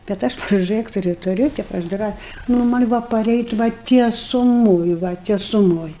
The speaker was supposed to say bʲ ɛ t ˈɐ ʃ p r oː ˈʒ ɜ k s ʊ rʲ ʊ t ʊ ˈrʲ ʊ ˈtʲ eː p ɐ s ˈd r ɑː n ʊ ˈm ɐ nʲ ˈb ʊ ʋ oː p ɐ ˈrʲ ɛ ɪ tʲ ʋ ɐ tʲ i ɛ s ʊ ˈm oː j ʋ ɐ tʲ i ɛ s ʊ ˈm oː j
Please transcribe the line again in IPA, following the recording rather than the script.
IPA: bʲ ɛ t ˈɐ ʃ p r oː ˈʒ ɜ k t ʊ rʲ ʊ t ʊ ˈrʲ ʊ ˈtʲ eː p ɐ ʃ ˈd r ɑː n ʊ ˈm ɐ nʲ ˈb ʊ ʋ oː p ɐ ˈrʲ ɛ ɪ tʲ ʋ ɐ tʲ i ɛ s ʊ ˈm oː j ʋ ɐ tʲ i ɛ s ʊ ˈm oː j